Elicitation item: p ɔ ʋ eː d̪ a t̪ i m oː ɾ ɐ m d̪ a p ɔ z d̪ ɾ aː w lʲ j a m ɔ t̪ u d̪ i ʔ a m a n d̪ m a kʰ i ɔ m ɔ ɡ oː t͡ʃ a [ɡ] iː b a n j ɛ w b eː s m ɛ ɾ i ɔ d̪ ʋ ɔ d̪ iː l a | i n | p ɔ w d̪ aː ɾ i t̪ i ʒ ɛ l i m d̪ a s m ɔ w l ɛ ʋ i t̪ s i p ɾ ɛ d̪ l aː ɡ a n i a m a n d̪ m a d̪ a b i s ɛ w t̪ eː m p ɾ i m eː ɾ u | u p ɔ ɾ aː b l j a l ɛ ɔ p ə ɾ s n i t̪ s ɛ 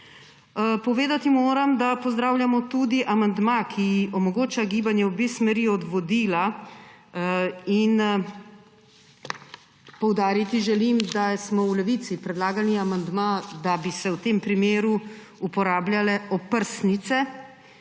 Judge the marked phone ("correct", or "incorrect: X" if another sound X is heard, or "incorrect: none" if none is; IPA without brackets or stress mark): correct